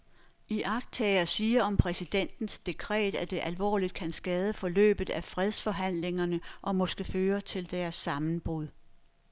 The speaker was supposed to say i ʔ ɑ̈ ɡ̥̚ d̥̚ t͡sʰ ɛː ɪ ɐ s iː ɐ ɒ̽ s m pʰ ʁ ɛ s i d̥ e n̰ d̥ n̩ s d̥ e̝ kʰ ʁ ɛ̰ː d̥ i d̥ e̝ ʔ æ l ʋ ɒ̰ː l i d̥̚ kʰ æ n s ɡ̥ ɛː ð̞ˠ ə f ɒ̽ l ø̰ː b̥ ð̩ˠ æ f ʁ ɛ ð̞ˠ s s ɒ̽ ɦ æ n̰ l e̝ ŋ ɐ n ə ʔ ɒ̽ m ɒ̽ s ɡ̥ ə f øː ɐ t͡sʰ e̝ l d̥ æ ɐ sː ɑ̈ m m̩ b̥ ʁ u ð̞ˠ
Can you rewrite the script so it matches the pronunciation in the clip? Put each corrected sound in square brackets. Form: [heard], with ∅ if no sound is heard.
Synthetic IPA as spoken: i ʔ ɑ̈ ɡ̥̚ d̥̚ t͡sʰ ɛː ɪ ɐ s iː ɐ ɒ̽ [∅] m pʰ ʁ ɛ s i d̥ e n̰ d̥ n̩ s d̥ e̝ kʰ ʁ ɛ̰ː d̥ [æ] d̥ e̝ ʔ æ l ʋ ɒ̰ː l i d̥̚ kʰ æ n s ɡ̥ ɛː ð̞ˠ ə f ɒ̽ l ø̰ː b̥ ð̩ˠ æ f ʁ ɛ ð̞ˠ s [f] ɒ̽ ɦ æ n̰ l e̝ ŋ ɐ n ə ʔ ɒ̽ m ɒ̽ s ɡ̥ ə f øː ɐ t͡sʰ e̝ l d̥ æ ɐ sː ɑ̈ m [n̩] b̥ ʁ u ð̞ˠ